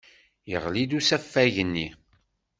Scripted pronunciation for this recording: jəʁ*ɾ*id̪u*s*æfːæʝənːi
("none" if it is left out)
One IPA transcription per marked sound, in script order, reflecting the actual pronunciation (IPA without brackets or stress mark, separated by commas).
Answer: l, s